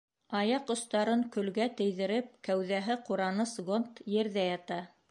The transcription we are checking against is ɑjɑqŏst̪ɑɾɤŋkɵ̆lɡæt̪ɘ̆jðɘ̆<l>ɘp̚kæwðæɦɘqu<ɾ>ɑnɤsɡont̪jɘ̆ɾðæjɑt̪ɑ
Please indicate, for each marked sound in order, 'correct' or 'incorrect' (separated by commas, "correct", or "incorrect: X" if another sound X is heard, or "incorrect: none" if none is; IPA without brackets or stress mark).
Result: incorrect: ɾ, correct